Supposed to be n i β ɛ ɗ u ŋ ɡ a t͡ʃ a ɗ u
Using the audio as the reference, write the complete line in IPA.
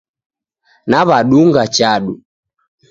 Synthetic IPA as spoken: n a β a ɗ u ŋ ɡ a t͡ʃ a ɗ u